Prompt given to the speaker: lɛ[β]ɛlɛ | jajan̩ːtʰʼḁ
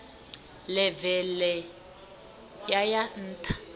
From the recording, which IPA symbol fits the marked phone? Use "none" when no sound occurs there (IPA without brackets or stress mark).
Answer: v